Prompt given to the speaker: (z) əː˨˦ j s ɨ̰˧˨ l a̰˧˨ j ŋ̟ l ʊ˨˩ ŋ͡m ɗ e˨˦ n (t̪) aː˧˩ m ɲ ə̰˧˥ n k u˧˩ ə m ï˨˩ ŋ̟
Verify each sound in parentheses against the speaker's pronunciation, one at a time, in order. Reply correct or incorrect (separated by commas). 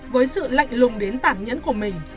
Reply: incorrect, correct